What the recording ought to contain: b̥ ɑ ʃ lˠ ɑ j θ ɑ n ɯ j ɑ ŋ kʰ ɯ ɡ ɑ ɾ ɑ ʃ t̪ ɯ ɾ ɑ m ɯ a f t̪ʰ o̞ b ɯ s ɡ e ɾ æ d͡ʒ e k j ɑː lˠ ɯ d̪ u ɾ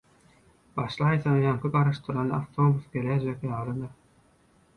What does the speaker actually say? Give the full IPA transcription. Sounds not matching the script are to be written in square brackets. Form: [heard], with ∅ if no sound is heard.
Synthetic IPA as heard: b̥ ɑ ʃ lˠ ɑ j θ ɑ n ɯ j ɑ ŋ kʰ ɯ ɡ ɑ ɾ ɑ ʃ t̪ ɯ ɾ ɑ [n] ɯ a f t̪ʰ o̞ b [u] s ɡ e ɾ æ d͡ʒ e k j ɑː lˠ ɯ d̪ [ɯ] ɾ